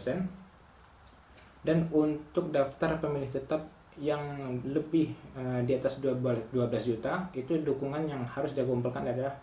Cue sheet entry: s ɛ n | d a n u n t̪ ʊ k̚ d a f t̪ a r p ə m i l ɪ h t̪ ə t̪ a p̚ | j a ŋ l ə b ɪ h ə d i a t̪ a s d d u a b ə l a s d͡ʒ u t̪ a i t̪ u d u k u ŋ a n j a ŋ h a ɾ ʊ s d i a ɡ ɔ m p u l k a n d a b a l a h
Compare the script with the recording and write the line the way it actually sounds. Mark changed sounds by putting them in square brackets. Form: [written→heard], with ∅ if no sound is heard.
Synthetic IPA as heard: s ɛ n | d a n u n t̪ ʊ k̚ d a f t̪ a r p ə m i l ɪ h t̪ ə t̪ a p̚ | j a ŋ l ə b ɪ h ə d i a t̪ a s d d u a b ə l a s d͡ʒ u t̪ a i t̪ u d u k u ŋ a n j a ŋ h a ɾ ʊ s d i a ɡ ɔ m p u l k a n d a [b→d] a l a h